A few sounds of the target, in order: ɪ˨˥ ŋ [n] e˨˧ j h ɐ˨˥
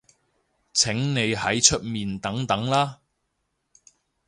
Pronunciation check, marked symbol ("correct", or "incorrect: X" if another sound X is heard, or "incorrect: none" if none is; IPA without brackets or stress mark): correct